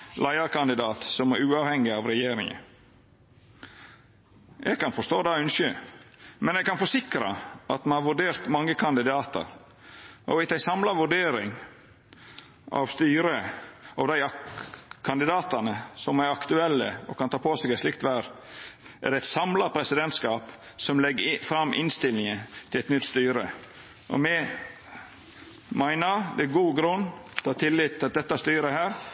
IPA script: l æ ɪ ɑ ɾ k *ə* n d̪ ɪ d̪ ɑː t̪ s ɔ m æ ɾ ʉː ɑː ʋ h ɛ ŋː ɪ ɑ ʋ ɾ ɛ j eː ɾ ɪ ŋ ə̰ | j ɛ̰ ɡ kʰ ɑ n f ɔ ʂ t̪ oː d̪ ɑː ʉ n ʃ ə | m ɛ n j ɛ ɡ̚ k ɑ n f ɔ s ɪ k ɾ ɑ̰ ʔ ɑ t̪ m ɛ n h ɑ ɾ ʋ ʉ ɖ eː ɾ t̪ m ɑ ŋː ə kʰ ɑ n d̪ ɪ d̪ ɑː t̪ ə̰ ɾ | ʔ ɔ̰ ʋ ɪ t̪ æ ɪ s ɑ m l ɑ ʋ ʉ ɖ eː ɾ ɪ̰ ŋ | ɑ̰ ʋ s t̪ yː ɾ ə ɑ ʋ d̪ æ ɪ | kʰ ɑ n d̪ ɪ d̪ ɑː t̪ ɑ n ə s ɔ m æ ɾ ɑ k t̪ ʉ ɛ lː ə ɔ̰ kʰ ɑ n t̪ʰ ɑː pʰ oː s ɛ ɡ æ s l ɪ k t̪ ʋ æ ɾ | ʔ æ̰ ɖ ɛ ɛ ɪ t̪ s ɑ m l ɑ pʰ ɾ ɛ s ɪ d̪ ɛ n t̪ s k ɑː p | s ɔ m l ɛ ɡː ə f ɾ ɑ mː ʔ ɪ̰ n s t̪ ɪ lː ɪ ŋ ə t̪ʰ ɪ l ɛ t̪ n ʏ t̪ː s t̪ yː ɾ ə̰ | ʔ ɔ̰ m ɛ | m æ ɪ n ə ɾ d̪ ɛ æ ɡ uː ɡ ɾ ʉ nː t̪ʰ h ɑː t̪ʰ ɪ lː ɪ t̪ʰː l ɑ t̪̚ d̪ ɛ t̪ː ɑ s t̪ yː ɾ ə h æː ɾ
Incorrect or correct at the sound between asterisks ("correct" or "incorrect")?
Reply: incorrect